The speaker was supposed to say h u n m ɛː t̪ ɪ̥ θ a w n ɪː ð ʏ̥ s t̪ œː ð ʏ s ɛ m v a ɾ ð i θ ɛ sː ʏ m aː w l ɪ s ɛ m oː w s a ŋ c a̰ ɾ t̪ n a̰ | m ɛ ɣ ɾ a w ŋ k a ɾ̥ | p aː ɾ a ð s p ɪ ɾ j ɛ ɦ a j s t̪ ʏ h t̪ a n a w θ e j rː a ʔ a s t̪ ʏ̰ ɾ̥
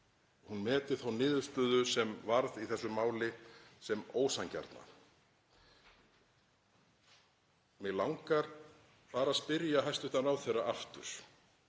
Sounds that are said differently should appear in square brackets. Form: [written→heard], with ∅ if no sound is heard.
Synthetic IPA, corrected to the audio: h u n m ɛː t̪ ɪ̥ θ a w n ɪː ð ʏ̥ s t̪ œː ð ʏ s ɛ m v a ɾ ð i θ ɛ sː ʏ m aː w l ɪ s ɛ m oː w s a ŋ c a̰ ɾ t̪ n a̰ | m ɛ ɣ [ɾ→l] a w ŋ k a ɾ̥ | p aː ɾ a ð s p ɪ ɾ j [ɛ→a] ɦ a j s t̪ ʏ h t̪ a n a w θ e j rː a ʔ a [s→f] t̪ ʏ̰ ɾ̥

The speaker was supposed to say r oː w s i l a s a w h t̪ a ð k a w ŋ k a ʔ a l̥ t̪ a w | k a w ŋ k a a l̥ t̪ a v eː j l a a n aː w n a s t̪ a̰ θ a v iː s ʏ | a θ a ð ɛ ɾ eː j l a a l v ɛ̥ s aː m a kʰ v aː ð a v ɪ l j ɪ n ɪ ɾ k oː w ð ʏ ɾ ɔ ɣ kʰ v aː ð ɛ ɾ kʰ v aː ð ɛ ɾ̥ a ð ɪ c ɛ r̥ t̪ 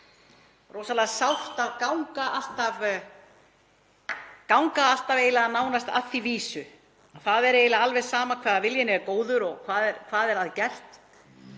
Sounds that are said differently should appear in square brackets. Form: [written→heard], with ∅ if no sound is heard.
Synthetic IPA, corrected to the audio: r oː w s [i→a] l a s a w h t̪ a ð k a w ŋ k a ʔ a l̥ t̪ a [w→v] | k a w ŋ k a a l̥ t̪ a v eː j l a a n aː w n a s t̪ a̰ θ [a→i] v iː s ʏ | a θ a ð ɛ ɾ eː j l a a l v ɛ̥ s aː m a kʰ v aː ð a v ɪ l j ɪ n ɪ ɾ k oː w ð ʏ ɾ ɔ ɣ kʰ v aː ð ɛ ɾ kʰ v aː ð ɛ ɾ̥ a ð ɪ c ɛ r̥ t̪

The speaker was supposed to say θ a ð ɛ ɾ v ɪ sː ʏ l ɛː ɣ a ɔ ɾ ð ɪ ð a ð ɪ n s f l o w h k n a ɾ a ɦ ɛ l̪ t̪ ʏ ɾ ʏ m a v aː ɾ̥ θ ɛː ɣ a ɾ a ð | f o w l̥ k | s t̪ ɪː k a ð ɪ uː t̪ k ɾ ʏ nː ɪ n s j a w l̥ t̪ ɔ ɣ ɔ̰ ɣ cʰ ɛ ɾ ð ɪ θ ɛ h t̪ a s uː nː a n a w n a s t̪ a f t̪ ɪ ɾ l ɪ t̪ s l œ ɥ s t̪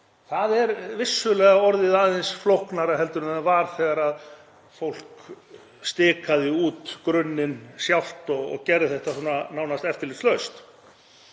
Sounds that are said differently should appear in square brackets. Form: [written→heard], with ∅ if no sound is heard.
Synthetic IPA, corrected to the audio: θ a ð ɛ ɾ v ɪ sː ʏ l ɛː ɣ a ɔ ɾ ð ɪ ð a ð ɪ n s f l o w h k n a ɾ a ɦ ɛ l̪ t̪ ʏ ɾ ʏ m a v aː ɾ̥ θ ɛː ɣ a ɾ a ð | f o w l̥ k | s t̪ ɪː k a ð ɪ uː t̪ k ɾ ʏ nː ɪ n s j a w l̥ t̪ ɔ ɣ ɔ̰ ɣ [cʰ→c] ɛ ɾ ð ɪ θ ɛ h t̪ a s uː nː a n a w n a s t̪ [a→ɛ] f t̪ ɪ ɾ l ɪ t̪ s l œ ɥ s t̪

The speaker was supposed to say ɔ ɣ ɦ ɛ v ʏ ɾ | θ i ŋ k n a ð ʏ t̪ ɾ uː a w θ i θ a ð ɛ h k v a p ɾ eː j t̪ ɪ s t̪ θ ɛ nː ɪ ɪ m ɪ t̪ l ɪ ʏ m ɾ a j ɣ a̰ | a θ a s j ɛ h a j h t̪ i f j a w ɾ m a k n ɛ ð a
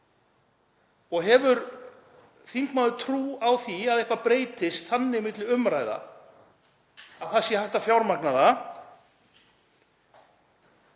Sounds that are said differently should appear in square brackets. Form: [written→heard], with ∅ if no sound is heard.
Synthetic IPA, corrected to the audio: ɔ ɣ ɦ ɛ v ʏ ɾ | θ i ŋ k [n→m] a ð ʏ [t̪→t̪ʰ] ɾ uː a w θ i [θ→∅] a ð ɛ h k v a p ɾ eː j t̪ ɪ s t̪ θ [ɛ→a] nː ɪ ɪ m ɪ t̪ l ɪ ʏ m ɾ a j [ɣ→ð] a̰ | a θ a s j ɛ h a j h t̪ [i→a] f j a w ɾ m a k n [ɛ→a] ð a

